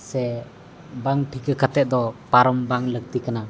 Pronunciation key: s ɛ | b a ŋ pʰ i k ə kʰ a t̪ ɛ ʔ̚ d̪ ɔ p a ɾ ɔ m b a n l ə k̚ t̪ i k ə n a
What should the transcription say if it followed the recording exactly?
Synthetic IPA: s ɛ | b a ŋ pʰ i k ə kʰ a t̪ ɛ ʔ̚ d̪ ɔ p a ɾ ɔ m b a ŋ l ə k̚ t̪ i k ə n a

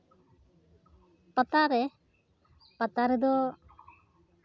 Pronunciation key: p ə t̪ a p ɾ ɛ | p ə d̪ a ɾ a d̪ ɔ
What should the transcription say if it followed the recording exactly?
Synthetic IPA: p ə t̪ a ɾ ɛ | p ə t̪ a ɾ ɛ d̪ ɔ

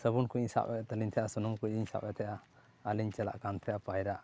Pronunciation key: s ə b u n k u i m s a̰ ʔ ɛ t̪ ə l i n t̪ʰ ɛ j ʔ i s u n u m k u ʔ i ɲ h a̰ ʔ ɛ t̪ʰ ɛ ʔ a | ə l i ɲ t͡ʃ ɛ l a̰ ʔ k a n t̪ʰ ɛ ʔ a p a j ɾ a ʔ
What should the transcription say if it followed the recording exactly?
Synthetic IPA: s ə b u n k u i ɲ s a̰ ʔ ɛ t̪ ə l i n t̪ʰ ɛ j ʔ a s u n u m k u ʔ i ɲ s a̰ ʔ ɛ t̪ʰ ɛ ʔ a | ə l i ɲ t͡ʃ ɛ l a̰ ʔ k a n t̪ʰ ɛ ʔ a p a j ɾ a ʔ

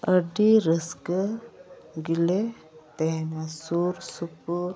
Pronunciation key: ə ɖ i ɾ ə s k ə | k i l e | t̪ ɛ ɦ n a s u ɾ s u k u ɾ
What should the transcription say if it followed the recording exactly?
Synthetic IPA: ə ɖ i ɾ ə s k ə | ɡ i l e | t̪ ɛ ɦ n a s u ɾ s u p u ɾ

